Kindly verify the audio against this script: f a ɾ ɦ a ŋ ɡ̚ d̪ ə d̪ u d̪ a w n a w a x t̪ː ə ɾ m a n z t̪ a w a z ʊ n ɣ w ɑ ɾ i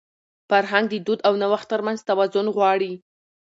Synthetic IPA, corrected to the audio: f a ɾ ɦ a ŋ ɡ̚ d̪ ə d̪ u d̪ a w n a w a x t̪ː ə ɾ m a n z t̪ a w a z ʊ n ɣ w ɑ ɽ i

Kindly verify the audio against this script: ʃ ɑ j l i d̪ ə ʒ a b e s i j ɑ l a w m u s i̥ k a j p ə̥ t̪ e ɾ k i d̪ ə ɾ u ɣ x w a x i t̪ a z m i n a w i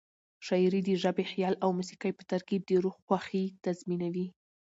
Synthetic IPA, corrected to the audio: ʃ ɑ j ɾ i d̪ ə ʒ a b e x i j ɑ l a w m u s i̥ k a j p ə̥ t̪ a ɾ k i d̪ ə ɾ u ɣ x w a x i t̪ a z m i n a w i

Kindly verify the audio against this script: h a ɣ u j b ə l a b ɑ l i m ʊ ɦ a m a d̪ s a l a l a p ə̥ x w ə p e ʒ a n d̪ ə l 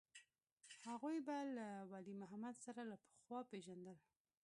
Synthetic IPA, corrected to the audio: h a ɣ u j b a l a w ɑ l i m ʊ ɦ a m a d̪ s a ɾ a l a p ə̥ x w ɑ p e ʒ a n d̪ ə l

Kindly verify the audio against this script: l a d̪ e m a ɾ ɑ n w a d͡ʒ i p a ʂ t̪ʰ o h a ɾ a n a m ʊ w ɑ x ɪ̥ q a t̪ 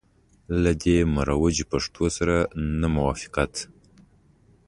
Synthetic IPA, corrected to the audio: l a d̪ e m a ɾ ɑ w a d͡ʒ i p a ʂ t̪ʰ o s a ɾ a n a m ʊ w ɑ f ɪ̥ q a t̪

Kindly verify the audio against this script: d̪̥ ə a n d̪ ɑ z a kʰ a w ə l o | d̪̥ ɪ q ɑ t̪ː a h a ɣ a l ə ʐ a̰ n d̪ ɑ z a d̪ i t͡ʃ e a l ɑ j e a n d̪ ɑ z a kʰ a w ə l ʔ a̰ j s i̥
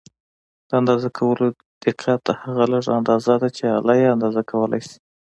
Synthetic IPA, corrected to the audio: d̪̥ ə a n d̪ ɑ z a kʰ a w ə l o | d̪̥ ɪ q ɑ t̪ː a h a ɣ a l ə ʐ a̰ n d̪ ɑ z a d̪ a t͡ʃ e a l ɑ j e a n d̪ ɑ z a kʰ a w ə l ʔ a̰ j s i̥

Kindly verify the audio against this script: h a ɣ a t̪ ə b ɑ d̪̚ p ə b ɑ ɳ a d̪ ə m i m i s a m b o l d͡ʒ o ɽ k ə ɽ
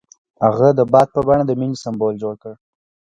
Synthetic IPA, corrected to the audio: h a ɣ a d̪ ə b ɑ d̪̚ p ə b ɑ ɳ a d̪ ə m i n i s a m b o l d͡ʒ o ɽ k ə ɽ

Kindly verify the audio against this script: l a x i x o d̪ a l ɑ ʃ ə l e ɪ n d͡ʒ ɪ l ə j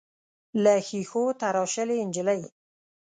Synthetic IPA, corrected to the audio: l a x i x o t̪ a ɾ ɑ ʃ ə l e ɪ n d͡ʒ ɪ l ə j

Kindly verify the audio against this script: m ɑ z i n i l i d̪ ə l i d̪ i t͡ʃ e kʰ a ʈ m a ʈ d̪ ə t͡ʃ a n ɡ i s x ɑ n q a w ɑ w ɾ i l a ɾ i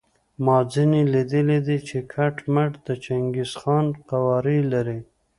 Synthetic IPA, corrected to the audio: m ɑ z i n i l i d̪ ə l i d̪ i t͡ʃ e kʰ a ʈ m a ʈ d̪ ə t͡ʃ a ŋ ɡ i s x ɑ n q a w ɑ ɾ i l a ɾ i

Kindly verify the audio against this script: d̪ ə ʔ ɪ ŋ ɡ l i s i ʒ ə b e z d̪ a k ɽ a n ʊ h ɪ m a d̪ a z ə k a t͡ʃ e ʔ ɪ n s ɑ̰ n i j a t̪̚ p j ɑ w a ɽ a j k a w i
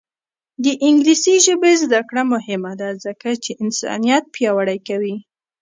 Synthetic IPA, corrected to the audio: d̪ ə ʔ ɪ ŋ ɡ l i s i ʒ ə b e z d̪ a k ɽ a m ʊ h ɪ m a d̪ a z ə k a t͡ʃ e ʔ ɪ n s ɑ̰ n i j a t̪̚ p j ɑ w a ɽ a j k a w i

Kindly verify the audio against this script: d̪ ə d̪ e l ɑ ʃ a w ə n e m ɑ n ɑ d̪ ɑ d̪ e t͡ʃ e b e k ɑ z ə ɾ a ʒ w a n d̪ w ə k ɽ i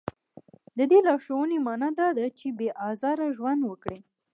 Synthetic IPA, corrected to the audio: d̪ ə d̪ e l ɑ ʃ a w ə n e m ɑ n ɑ d̪ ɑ d̪ a t͡ʃ e b e ʔ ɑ z ɑ ɾ a ʒ w a n d̪ w ə k ɽ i

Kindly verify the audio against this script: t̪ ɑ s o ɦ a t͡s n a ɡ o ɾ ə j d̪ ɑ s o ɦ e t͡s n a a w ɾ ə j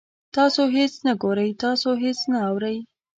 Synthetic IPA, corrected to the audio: t̪ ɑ s o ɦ e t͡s n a ɡ o ɾ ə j t̪ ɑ s o ɦ e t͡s n a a w ɾ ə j

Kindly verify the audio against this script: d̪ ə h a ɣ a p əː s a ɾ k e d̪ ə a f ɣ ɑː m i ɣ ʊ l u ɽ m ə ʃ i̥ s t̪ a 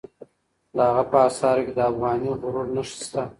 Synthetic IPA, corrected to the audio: d̪ ə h a ɣ a p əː s ɑ ɾ k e d̪ ə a f ɣ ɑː n i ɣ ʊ ɾ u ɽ n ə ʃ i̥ s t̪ a

